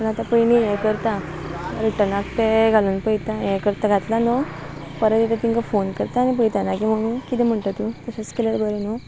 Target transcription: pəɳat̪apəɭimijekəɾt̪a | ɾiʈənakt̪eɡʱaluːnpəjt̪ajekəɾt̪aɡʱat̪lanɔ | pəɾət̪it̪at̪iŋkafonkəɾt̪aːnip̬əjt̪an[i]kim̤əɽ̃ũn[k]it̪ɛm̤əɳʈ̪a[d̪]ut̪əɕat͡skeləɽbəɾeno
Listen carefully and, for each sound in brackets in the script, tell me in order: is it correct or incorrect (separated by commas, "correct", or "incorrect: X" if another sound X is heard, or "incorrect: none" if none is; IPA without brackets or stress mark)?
incorrect: a, correct, incorrect: t̪